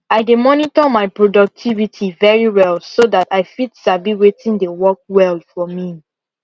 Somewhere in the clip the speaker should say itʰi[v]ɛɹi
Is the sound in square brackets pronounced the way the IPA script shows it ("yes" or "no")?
yes